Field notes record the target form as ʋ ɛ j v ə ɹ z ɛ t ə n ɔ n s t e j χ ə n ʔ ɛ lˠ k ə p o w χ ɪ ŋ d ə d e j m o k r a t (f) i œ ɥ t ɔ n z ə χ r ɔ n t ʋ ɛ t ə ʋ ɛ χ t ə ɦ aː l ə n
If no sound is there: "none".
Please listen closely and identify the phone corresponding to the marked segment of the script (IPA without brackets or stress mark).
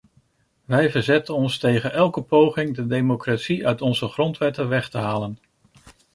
s